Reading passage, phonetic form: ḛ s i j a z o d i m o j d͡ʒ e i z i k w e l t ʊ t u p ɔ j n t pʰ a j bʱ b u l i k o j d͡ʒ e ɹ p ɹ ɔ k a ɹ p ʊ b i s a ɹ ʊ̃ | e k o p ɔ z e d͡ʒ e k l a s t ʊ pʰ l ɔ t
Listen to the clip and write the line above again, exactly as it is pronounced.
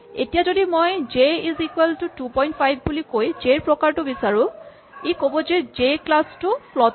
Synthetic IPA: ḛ t i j a z o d i m o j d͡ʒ e i z i k w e l t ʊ t u p ɔ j n t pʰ a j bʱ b u l i k o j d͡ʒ e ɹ p ɹ ɔ k a ɹ t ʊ b i s a ɹ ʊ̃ | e k o b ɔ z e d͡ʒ e k l a s t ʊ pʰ l ɔ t